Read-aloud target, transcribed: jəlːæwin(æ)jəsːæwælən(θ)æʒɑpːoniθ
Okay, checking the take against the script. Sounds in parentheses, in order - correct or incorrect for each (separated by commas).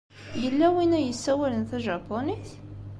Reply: correct, correct